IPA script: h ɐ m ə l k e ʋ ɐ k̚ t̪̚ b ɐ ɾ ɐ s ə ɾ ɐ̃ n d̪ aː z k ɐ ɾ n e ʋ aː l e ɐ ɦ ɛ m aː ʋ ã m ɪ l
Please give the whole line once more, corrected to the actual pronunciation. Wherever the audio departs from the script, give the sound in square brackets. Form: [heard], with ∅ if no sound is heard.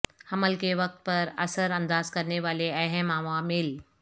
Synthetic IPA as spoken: h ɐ m ə l k e ʋ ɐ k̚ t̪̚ [p] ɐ ɾ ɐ s ə ɾ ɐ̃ n d̪ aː z k ɐ ɾ n e ʋ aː l e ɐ ɦ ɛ m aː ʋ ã m ɪ l